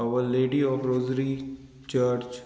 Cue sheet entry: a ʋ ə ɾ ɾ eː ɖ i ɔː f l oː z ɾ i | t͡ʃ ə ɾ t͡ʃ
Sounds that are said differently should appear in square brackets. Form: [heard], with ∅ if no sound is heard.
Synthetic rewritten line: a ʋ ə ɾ [l] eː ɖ i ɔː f [ɾ] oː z ɾ i | t͡ʃ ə ɾ t͡ʃ